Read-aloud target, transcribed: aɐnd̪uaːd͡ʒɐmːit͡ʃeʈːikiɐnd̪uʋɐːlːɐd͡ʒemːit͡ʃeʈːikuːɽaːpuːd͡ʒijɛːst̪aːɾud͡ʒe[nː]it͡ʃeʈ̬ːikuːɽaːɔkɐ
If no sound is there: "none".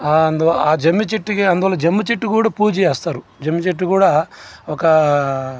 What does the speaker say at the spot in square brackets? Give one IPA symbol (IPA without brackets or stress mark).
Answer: mː